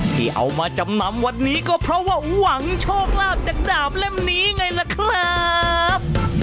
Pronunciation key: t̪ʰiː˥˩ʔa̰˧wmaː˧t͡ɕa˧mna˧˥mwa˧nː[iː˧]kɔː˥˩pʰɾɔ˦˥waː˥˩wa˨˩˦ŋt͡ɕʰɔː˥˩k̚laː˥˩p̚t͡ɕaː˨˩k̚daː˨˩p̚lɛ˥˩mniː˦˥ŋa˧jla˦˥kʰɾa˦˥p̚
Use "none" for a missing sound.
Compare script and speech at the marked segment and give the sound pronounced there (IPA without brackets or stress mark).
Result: iː˦˥